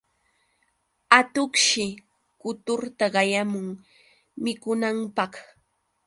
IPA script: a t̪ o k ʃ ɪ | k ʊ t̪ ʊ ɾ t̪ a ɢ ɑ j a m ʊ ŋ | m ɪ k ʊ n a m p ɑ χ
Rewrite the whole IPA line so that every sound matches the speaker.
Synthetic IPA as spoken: a t̪ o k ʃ ɪ | k ʊ t̪ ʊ ɾ t̪ a ɢ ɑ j a m ʊ ŋ | m ɪ k ʊ n a m p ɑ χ